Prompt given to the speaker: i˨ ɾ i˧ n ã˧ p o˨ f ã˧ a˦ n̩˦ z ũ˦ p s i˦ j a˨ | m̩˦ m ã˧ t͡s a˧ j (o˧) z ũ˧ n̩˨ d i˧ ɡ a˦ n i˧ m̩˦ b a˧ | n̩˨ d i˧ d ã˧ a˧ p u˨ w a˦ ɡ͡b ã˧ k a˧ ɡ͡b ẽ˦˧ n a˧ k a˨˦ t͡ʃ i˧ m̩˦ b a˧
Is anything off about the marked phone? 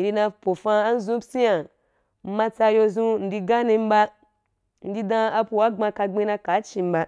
no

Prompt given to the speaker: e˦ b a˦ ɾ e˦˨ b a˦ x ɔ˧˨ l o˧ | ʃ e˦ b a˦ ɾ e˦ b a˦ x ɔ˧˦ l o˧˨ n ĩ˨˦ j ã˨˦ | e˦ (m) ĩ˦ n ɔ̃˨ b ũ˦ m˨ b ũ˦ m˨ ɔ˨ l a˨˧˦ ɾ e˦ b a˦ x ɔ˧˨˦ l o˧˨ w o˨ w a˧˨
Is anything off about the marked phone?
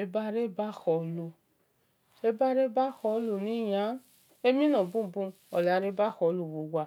no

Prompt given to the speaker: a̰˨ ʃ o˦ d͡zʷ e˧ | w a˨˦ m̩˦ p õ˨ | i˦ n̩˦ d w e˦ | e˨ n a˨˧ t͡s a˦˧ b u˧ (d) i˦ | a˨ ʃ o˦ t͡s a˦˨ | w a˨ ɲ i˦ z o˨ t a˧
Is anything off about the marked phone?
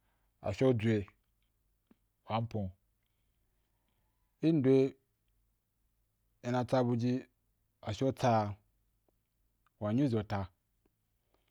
yes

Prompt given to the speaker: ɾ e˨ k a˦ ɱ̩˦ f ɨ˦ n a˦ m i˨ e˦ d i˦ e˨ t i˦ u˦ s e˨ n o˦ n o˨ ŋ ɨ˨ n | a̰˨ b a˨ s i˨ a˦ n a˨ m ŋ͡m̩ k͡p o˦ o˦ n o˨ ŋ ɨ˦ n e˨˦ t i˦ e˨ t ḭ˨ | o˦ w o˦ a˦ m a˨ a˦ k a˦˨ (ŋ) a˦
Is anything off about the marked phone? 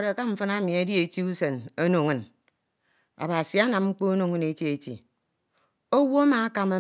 yes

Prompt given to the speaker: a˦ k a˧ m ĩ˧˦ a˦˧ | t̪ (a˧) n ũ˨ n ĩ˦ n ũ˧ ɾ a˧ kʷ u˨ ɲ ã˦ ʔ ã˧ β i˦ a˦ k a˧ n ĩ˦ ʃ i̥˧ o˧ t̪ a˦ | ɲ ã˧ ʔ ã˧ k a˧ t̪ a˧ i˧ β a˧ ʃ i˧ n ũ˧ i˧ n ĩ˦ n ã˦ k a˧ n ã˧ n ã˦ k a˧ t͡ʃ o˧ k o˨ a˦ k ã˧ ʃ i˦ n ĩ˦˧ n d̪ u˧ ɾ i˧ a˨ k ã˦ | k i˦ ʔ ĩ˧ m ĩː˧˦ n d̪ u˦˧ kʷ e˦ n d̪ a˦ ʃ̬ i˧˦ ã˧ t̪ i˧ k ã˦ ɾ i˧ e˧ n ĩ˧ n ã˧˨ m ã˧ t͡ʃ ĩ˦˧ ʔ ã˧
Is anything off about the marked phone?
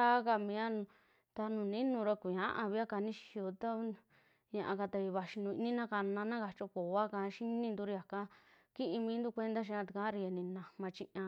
no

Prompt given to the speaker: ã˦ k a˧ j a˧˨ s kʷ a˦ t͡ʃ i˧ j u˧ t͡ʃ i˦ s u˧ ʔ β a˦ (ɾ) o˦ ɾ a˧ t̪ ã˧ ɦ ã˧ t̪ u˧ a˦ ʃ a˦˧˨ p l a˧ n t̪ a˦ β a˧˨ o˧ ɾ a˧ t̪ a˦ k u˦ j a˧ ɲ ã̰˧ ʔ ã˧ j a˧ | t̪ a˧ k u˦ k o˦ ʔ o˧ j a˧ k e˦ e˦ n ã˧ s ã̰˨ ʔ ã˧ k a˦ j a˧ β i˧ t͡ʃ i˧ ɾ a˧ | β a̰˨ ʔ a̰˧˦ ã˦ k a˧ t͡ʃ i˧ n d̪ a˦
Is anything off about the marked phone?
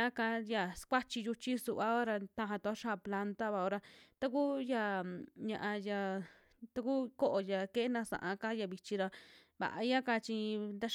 yes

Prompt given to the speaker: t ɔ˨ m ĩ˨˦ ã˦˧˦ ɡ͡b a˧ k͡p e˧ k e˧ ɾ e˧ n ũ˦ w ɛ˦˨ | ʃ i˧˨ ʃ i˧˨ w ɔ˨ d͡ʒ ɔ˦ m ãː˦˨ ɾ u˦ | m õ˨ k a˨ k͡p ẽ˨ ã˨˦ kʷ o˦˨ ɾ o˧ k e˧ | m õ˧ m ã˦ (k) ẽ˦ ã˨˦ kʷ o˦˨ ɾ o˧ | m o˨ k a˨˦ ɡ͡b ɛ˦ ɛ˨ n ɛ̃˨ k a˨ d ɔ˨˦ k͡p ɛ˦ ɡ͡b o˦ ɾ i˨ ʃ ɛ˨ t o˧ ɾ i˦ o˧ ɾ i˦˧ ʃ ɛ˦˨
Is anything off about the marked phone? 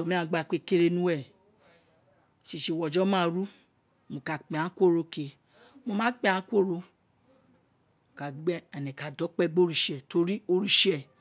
yes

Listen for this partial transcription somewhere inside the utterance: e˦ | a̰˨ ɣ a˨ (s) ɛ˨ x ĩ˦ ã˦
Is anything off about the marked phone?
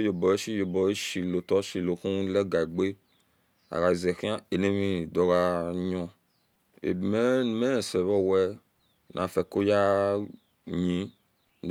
yes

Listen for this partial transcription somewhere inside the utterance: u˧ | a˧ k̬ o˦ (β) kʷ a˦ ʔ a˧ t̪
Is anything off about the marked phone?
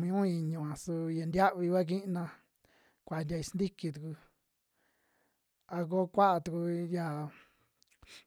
yes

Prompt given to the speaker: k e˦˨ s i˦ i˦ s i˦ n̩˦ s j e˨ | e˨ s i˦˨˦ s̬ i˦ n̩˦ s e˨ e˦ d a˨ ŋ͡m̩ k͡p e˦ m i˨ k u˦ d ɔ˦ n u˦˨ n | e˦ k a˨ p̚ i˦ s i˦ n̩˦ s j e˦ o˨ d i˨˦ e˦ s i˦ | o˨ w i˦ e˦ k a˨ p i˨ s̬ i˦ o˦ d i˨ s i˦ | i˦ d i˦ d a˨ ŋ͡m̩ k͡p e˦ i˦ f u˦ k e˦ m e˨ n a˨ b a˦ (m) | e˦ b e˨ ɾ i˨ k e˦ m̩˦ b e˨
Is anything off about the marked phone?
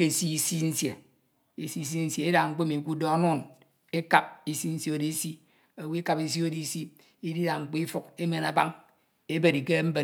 yes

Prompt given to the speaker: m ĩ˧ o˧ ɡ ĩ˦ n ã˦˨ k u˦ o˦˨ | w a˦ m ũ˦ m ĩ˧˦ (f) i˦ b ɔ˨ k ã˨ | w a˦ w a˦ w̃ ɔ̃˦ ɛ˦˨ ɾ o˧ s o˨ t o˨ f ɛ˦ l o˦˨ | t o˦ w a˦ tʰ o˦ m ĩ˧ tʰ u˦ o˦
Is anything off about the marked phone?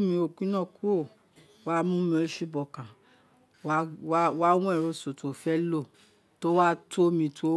yes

